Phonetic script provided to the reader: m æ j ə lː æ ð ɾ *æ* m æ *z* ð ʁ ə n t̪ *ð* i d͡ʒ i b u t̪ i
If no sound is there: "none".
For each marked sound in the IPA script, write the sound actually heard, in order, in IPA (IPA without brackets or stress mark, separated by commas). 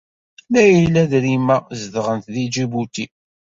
i, z, ð